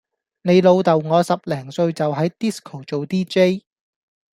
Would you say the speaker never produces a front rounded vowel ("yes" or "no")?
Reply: yes